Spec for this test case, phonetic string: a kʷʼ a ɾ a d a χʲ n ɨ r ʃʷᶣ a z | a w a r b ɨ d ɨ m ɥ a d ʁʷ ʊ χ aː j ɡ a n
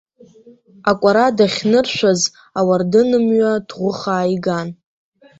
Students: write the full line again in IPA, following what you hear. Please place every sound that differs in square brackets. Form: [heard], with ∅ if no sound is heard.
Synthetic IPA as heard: a kʷʼ a ɾ a d a χʲ n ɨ r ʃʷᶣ a z | a w a r [d] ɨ [n] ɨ m ɥ a d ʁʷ ʊ χ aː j ɡ a n